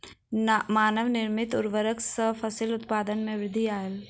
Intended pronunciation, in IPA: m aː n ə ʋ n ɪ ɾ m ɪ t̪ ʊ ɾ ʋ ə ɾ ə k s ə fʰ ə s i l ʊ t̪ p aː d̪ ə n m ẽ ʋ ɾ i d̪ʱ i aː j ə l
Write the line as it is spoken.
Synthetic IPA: m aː n ə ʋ n ɪ ɾ m ɪ t̪ ʊ ɾ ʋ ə ɾ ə k s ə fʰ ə s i l ʊ t̪ p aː d̪ ə n m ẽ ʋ ɾ ɪ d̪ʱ i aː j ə l